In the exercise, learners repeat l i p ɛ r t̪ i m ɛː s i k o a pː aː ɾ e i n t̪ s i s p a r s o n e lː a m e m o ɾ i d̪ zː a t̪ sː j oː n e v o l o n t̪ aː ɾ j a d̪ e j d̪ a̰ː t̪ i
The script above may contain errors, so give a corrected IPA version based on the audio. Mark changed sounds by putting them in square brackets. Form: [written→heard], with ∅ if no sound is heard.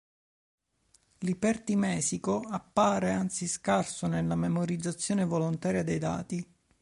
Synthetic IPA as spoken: l i p ɛ r t̪ i m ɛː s i k o a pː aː ɾ e [i→a] n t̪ s i s [p→k] a r s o n e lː a m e m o ɾ i d̪ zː a t̪ sː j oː n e v o l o n t̪ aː ɾ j a d̪ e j d̪ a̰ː t̪ i